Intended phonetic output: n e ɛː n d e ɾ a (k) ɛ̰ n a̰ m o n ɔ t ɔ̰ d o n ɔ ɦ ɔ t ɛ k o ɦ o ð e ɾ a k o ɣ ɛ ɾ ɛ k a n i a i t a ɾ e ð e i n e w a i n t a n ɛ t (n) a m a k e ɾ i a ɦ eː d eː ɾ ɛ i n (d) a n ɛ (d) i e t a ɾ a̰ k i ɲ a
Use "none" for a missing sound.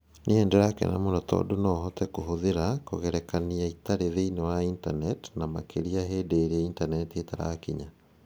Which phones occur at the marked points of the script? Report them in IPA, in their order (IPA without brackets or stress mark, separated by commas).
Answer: k, n, t, t